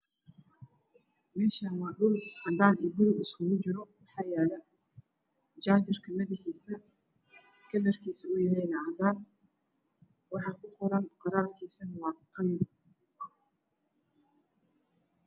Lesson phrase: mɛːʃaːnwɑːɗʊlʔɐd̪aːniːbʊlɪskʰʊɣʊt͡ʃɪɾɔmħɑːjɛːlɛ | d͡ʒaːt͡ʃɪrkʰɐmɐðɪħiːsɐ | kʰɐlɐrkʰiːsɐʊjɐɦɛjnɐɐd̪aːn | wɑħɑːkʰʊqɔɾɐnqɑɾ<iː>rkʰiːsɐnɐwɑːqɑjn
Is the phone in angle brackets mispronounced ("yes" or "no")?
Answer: yes